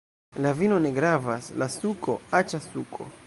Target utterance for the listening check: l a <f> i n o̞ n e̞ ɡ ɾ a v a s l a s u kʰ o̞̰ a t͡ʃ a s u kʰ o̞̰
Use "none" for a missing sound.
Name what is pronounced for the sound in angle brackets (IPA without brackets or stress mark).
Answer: v